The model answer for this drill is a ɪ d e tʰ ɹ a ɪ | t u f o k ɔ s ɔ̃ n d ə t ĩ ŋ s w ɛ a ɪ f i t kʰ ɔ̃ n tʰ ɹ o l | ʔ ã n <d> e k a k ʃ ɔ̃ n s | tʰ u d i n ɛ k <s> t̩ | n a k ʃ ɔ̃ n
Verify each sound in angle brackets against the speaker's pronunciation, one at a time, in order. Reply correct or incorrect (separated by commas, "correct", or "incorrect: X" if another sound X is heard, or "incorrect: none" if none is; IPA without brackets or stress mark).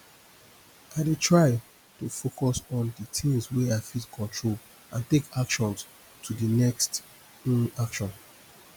incorrect: t, correct